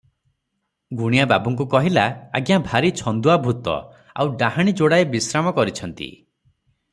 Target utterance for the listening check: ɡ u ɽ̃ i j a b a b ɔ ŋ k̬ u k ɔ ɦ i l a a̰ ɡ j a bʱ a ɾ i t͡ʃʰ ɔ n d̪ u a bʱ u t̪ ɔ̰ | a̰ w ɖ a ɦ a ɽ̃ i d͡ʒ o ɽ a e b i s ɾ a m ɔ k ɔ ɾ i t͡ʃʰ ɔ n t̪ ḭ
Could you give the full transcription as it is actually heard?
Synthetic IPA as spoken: ɡ u ɽ̃ i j a b a b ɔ ŋ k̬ u k ɔ ɦ i l a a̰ ɡ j a bʱ a ɾ i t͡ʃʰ ɔ n d̪ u a bʱ u t̪ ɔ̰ | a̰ w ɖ a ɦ a ɽ̃ i d͡ʒ o ɽ a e b i s ɾ a m ɔ k ɔ ɾ i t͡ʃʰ ɔ n t̪ ḭ

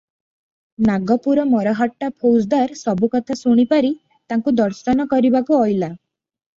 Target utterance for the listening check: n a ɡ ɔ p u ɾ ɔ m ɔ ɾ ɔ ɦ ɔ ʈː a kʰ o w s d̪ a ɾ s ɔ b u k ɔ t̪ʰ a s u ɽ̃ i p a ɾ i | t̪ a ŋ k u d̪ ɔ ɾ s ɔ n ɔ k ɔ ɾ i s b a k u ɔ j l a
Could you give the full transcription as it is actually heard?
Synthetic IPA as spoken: n a ɡ ɔ p u ɾ ɔ m ɔ ɾ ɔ ɦ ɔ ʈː a pʰ o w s d̪ a ɾ s ɔ b u k ɔ t̪ʰ a s u ɽ̃ i p a ɾ i | t̪ a ŋ k u d̪ ɔ ɾ s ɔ n ɔ k ɔ ɾ i b a k u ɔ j l a

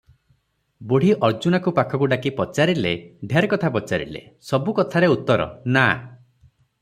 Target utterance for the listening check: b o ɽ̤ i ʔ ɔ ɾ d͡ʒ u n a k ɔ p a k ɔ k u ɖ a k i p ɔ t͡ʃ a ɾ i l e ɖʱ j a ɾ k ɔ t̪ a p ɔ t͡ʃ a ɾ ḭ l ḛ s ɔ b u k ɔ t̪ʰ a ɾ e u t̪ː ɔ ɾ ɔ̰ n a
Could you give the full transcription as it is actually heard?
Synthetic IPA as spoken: b o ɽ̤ i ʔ ɔ ɾ d͡ʒ u n a k u p a kʰ ɔ k u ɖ a k i p ɔ t͡ʃ a ɾ i l e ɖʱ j a ɾ k ɔ t̪ʰ a p ɔ t͡ʃ a ɾ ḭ l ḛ s ɔ b u k ɔ t̪ʰ a ɾ e u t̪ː ɔ ɾ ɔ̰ n a

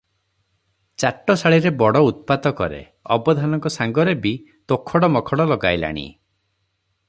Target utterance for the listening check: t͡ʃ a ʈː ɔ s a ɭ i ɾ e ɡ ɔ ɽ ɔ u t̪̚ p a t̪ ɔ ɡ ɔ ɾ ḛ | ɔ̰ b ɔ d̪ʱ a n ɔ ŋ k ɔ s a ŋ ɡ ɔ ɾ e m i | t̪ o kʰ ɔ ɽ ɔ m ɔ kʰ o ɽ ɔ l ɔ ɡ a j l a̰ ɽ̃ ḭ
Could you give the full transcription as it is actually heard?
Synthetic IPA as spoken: t͡ʃ a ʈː ɔ s a ɭ i ɾ e b ɔ ɽ ɔ u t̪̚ p a t̪ ɔ k ɔ ɾ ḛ | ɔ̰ b ɔ d̪ʱ a n ɔ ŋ k ɔ s a ŋ ɡ ɔ ɾ e b i | t̪ o kʰ ɔ ɽ ɔ m ɔ kʰ ɔ ɽ ɔ l ɔ ɡ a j l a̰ ɽ̃ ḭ

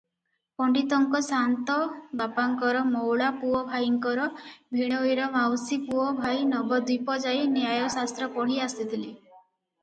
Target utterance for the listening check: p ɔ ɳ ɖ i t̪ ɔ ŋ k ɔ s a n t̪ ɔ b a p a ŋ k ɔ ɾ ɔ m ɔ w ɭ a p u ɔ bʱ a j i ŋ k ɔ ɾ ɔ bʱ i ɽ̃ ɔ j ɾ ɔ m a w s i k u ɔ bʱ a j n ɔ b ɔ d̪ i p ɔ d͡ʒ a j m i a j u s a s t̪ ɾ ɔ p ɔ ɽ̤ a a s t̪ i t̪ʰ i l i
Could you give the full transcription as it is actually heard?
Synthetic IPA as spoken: p ɔ ɳ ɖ i t̪ ɔ ŋ k ɔ s a n t̪ ɔ b a p a ŋ k ɔ ɾ ɔ m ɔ w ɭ a p u ɔ bʱ a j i ŋ k ɔ ɾ ɔ bʱ i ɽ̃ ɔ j ɾ ɔ m a w s i p u ɔ bʱ a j n ɔ b ɔ d̪ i p ɔ d͡ʒ a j n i a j ɔ s a s t̪ ɾ ɔ p ɔ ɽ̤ i a s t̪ i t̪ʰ i l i

